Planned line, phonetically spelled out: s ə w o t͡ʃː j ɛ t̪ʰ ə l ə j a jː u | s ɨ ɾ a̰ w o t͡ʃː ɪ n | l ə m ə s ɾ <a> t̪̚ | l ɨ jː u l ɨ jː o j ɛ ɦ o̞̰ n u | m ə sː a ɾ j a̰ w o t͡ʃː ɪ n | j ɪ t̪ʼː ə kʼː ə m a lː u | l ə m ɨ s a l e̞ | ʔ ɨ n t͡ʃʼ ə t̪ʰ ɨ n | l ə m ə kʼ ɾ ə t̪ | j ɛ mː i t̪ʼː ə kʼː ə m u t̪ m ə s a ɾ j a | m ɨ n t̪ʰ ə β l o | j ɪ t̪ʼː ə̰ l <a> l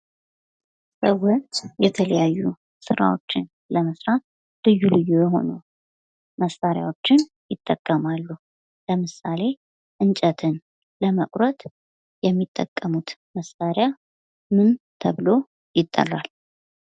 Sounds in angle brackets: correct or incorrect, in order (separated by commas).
correct, correct